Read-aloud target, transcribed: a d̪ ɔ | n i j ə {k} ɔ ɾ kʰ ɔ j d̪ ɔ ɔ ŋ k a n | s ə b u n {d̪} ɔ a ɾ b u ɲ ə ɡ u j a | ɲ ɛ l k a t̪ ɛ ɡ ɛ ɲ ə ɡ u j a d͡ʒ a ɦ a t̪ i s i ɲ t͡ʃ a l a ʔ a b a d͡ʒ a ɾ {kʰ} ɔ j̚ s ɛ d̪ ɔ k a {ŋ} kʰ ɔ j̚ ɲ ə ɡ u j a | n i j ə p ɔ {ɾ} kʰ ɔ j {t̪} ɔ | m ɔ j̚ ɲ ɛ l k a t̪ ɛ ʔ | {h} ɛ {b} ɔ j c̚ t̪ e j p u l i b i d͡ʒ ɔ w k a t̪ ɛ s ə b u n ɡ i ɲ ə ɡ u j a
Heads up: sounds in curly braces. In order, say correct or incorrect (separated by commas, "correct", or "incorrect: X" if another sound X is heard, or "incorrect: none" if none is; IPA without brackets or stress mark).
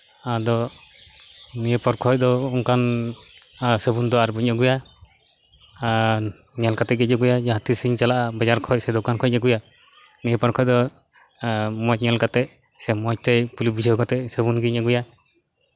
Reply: incorrect: p, correct, correct, incorrect: n, correct, incorrect: d̪, incorrect: s, incorrect: m